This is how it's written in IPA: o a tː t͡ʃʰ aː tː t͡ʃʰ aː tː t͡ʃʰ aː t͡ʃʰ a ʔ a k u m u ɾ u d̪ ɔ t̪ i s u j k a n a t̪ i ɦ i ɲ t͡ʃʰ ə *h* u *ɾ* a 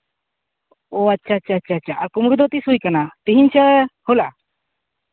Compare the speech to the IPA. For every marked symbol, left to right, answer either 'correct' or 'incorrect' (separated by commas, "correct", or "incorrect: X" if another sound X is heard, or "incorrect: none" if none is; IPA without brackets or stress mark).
correct, incorrect: l